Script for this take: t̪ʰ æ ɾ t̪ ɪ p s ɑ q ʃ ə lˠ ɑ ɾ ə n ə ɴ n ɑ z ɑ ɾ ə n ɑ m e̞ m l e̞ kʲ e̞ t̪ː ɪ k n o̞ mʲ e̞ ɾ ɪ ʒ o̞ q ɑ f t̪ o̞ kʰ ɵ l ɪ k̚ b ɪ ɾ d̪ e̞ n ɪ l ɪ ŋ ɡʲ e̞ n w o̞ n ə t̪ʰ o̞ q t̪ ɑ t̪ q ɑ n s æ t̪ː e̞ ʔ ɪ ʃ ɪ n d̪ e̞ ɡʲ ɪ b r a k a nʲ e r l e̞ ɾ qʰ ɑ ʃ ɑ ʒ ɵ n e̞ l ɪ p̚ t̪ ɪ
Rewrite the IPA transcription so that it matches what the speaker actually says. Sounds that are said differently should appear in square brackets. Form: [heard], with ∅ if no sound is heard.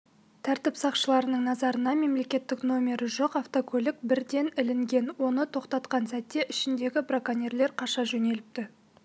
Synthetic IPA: t̪ʰ æ ɾ t̪ ɪ p s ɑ q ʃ ə lˠ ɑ ɾ ə n ə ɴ n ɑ z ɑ ɾ ə n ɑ m e̞ m l e̞ kʲ e̞ t̪ː ɪ k n o̞ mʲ e̞ ɾ ɪ ʒ o̞ q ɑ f t̪ o̞ kʰ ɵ l ɪ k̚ b ɪ ɾ d̪ e̞ n ɪ l ɪ ŋ ɡʲ e̞ n w o̞ n ə t̪ʰ o̞ q t̪ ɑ t̪ q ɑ n s æ t̪ː e̞ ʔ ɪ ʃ ɪ n d̪ e̞ ɡʲ ɪ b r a k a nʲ e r l e̞ ɾ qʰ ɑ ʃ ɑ ʒ ɵ n e̞ l ɪ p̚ t̪ ɪ